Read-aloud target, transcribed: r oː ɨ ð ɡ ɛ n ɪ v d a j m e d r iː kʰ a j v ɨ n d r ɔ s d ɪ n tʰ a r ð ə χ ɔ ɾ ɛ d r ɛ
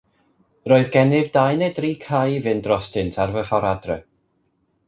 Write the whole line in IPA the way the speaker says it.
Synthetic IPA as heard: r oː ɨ ð ɡ ɛ n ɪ v d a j n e d r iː kʰ a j v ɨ n d r ɔ s t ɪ n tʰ a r v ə χ ɔ ɾ a d r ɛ